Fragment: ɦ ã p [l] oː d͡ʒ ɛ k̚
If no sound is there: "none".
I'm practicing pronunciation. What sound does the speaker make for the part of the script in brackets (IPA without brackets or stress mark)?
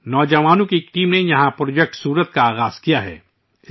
ɾ